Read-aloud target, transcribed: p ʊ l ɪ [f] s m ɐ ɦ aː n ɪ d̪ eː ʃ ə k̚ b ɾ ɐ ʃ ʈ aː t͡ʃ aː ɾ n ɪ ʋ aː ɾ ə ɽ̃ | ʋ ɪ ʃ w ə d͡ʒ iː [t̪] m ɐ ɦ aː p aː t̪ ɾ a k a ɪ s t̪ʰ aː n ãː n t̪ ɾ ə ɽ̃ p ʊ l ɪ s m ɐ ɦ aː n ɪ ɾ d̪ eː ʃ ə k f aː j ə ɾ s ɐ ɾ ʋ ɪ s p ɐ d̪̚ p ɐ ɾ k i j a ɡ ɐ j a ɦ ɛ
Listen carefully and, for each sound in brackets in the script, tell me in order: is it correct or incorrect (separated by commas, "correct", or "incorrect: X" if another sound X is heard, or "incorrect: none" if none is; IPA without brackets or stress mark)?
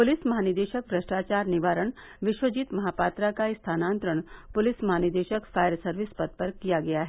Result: incorrect: none, correct